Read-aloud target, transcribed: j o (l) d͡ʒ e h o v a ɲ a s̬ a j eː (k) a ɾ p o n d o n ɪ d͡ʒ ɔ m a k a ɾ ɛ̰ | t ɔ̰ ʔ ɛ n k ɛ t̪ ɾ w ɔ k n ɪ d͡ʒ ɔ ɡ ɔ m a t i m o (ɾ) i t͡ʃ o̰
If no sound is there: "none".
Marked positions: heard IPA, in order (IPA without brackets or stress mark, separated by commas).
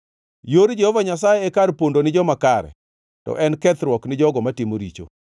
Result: ɾ, k, ɾ